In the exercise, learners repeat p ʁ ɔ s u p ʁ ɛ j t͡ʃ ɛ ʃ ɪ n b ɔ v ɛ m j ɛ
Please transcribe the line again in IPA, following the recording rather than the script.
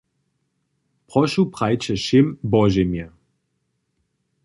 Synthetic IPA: p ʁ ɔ ʃ u p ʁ a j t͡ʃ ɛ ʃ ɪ m b ɔ ʒ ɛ m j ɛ